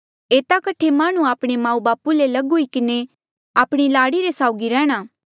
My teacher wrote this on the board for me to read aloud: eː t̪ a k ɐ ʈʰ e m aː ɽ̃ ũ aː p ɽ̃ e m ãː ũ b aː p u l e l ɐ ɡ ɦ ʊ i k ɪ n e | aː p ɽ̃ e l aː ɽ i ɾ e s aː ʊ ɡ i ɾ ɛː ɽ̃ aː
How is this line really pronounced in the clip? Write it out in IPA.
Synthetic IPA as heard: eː t̪ a k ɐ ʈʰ e m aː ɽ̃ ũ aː p ɽ̃ e m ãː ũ b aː p u l e l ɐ ɡ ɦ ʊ i k ɪ n e | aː p ɽ̃ i l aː ɽ i ɾ e s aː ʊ ɡ i ɾ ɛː ɽ̃ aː